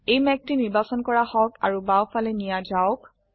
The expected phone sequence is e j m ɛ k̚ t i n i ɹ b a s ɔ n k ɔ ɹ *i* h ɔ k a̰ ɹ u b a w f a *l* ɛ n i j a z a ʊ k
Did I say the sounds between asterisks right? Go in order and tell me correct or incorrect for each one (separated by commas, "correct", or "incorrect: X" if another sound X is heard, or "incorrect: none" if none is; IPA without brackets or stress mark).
incorrect: a, correct